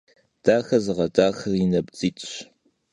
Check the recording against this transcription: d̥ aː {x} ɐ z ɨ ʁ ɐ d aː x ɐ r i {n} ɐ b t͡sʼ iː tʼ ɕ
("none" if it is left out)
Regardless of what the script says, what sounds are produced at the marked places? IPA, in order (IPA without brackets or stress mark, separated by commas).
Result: x, n